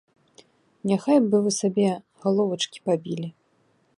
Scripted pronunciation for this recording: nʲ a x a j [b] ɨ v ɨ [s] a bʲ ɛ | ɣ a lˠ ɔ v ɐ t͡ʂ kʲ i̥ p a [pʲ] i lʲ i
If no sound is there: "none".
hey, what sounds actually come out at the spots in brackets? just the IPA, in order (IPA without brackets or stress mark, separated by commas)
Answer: b, s, bʲ